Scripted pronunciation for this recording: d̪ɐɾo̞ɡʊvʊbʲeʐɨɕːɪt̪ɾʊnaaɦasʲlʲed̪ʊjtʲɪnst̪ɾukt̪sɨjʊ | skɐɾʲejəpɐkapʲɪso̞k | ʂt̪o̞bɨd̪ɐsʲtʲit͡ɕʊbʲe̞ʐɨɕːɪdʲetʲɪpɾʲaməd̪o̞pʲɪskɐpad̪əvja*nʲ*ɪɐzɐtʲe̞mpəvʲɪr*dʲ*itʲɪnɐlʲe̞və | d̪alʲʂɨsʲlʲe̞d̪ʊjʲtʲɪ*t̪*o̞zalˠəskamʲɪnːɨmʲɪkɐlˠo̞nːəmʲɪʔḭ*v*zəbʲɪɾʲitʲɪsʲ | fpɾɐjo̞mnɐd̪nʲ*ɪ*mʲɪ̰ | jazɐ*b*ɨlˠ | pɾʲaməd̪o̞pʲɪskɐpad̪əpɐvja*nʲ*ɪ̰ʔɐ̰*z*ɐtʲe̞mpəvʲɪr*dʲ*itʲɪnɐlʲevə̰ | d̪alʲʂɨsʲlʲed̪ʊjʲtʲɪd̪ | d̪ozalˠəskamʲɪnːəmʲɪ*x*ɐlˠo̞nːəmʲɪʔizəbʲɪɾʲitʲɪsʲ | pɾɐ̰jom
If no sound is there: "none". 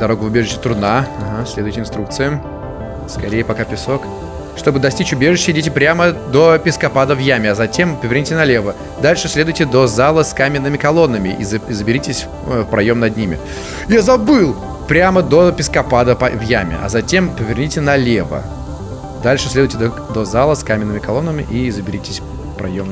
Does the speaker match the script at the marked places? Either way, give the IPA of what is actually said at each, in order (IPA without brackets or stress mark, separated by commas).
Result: mʲ, nʲ, d̪, z, i, b, mʲ, z, nʲ, k